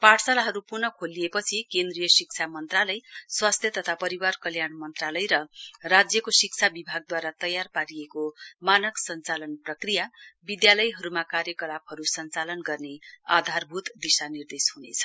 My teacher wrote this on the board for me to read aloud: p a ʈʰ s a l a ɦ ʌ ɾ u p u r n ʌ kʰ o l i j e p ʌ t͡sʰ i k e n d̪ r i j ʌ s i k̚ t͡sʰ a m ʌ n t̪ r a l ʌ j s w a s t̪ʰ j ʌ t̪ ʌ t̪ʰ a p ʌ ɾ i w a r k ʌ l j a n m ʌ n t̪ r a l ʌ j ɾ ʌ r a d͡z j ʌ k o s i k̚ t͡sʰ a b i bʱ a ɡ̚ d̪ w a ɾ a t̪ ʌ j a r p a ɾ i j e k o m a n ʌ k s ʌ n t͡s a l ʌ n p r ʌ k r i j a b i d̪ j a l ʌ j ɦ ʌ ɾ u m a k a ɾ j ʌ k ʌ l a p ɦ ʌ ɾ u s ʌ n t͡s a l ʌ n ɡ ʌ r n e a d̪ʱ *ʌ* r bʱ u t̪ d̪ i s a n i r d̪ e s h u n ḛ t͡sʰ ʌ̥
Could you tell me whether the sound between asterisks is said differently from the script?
yes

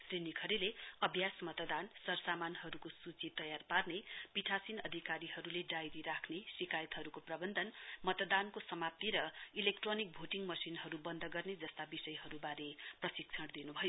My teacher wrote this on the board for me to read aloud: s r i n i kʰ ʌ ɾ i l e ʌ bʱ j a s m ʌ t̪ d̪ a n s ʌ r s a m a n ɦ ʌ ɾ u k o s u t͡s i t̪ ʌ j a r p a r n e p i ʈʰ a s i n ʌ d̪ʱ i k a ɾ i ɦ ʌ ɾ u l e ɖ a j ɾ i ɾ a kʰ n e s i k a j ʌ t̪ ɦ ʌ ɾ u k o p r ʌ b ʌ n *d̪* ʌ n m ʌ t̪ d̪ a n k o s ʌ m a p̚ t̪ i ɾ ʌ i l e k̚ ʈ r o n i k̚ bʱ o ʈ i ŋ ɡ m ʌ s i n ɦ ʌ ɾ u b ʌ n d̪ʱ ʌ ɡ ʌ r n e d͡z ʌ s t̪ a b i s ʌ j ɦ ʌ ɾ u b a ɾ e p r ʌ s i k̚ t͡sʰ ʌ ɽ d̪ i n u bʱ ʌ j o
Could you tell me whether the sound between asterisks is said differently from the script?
no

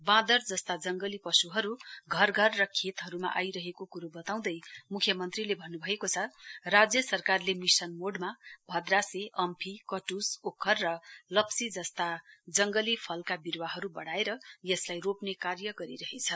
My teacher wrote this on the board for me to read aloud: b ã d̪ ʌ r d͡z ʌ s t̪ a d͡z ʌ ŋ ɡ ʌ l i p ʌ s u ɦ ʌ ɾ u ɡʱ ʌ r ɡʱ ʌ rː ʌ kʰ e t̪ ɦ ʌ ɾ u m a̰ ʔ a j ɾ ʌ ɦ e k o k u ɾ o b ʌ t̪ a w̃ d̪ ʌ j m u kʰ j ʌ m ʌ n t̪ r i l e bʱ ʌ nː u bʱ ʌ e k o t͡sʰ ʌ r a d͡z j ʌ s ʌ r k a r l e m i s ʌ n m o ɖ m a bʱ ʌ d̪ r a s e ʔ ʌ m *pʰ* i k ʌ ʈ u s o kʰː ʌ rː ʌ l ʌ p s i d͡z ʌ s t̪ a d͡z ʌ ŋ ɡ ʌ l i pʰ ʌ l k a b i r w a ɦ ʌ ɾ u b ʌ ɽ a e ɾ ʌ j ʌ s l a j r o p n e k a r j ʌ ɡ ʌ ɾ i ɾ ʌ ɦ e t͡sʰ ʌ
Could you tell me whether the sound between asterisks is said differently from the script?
no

